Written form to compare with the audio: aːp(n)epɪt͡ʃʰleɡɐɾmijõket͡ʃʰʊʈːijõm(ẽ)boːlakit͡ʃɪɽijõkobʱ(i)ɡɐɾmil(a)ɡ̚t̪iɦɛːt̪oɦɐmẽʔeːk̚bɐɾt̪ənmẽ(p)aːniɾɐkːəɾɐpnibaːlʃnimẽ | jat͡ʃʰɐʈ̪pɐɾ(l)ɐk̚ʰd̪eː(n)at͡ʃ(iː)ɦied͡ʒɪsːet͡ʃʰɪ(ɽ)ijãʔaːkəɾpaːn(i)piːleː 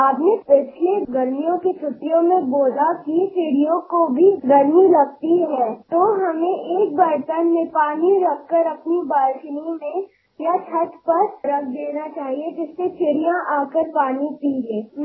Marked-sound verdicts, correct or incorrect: correct, correct, correct, incorrect, correct, incorrect, correct, incorrect, correct, correct

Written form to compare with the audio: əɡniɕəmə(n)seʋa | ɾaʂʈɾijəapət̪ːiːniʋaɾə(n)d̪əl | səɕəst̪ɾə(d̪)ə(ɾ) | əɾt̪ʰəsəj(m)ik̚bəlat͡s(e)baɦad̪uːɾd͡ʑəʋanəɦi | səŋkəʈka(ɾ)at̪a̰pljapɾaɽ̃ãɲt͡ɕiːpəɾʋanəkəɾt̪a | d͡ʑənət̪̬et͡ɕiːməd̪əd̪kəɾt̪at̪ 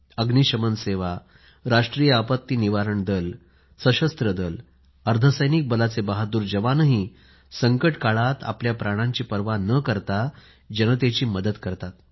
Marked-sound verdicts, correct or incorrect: correct, incorrect, correct, incorrect, incorrect, correct, incorrect

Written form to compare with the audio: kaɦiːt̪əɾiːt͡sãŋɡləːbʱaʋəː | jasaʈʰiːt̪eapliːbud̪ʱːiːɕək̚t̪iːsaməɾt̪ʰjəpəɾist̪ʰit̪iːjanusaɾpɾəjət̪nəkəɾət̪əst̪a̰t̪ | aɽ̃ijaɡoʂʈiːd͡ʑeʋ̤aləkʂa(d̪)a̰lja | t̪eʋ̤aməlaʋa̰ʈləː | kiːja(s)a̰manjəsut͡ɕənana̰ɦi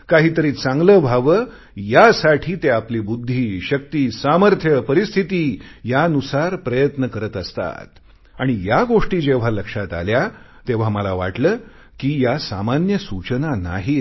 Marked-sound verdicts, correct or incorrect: incorrect, correct

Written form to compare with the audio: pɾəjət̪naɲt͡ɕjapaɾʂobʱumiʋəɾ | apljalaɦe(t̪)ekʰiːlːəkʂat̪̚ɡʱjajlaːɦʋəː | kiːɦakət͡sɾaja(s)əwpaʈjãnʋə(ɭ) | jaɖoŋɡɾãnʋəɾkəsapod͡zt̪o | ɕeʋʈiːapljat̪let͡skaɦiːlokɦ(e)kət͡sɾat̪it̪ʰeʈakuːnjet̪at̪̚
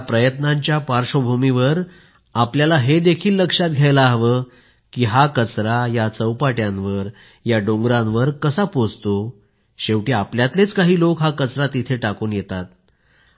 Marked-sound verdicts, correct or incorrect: incorrect, incorrect, incorrect, incorrect

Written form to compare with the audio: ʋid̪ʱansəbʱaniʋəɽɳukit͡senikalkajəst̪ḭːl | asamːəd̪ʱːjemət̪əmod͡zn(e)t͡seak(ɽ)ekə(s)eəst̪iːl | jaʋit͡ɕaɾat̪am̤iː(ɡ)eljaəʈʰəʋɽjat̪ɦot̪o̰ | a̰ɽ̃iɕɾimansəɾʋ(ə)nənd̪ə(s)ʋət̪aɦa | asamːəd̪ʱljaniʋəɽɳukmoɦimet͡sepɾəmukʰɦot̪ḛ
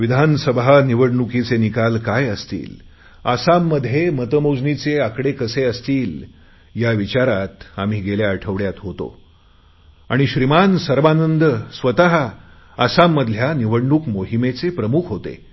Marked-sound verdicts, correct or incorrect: incorrect, correct, correct, correct, incorrect, correct

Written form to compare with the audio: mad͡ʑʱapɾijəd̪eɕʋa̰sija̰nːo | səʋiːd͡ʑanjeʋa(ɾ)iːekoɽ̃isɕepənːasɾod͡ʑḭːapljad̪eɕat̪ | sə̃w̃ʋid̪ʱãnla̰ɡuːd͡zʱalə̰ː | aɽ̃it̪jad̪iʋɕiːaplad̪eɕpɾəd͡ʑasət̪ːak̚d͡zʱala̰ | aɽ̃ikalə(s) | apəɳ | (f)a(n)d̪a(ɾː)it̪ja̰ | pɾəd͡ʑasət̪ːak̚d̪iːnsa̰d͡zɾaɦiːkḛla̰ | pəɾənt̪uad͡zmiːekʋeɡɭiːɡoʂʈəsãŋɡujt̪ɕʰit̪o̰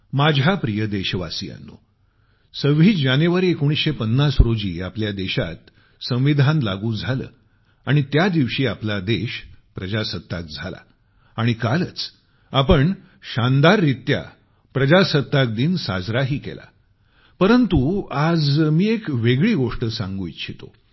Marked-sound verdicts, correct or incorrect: correct, incorrect, incorrect, correct, correct

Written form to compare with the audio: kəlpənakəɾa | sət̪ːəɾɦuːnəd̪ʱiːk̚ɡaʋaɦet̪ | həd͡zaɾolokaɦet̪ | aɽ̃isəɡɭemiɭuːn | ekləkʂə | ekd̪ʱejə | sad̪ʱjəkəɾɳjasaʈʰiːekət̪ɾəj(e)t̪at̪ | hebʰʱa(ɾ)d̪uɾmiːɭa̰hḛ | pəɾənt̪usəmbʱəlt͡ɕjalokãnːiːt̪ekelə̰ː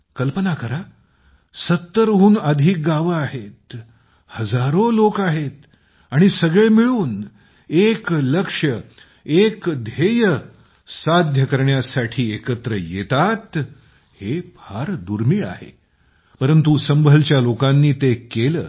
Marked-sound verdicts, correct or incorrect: correct, correct

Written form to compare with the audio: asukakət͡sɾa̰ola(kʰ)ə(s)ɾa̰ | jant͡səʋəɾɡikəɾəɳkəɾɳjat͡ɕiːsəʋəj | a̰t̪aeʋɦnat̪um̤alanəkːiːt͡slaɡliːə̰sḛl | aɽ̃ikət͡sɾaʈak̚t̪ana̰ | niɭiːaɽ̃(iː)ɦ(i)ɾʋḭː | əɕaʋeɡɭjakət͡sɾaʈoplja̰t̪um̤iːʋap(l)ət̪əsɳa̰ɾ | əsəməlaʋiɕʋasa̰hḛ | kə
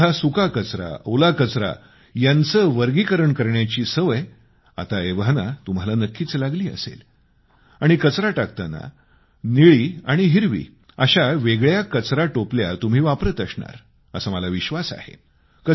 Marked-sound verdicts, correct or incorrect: incorrect, incorrect, incorrect, correct, incorrect

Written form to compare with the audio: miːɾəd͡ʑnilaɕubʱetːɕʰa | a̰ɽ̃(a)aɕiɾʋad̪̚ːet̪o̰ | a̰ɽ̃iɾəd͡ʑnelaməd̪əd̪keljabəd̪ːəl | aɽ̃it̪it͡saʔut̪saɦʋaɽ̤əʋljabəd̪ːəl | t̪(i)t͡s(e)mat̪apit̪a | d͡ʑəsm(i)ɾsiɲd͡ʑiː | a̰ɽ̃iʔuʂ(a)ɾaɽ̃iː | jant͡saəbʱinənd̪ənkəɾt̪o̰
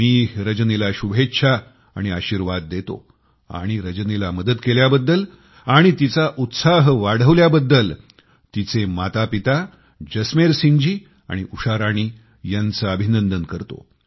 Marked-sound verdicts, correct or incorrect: incorrect, correct, correct, incorrect, correct

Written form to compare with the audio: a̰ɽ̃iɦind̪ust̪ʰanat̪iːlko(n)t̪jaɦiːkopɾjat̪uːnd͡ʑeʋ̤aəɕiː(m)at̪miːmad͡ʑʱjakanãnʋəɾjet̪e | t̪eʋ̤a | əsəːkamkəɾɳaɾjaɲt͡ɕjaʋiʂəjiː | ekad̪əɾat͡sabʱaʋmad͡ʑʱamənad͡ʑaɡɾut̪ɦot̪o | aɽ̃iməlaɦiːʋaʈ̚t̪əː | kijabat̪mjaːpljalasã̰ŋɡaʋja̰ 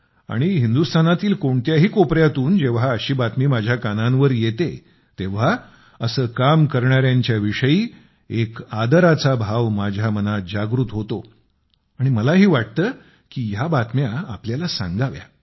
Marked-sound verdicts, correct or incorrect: incorrect, incorrect

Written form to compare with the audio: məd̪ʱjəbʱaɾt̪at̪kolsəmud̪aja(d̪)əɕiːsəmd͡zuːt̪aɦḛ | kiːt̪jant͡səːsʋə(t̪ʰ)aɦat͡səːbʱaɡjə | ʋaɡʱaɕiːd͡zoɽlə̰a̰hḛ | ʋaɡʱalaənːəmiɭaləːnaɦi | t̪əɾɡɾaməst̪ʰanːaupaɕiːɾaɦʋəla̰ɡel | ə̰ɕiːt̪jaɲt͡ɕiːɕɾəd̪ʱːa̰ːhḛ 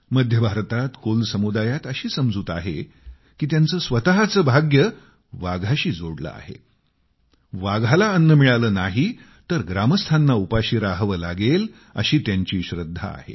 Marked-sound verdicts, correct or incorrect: incorrect, incorrect

